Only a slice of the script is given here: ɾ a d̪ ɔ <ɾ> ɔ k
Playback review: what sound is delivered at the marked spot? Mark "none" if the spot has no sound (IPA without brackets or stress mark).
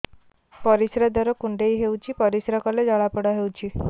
ɾ